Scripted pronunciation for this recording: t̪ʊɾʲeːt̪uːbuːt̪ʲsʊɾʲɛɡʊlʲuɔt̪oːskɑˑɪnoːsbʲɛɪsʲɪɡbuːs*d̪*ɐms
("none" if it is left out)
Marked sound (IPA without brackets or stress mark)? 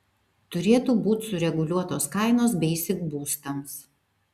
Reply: t̪